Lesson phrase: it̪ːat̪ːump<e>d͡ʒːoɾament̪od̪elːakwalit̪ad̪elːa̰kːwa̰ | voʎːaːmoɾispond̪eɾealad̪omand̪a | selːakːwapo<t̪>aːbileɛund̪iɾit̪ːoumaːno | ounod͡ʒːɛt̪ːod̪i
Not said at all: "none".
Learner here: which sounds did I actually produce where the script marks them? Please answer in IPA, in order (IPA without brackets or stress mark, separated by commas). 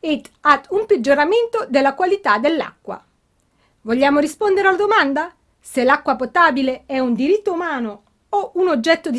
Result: e, t̪